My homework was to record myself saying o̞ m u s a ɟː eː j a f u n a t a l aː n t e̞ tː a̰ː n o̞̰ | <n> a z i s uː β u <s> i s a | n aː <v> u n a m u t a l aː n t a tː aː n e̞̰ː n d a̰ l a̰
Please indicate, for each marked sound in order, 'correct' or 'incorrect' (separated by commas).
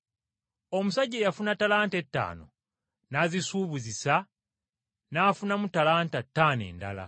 correct, incorrect, incorrect